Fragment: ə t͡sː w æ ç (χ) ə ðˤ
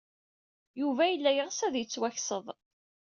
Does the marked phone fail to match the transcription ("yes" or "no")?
yes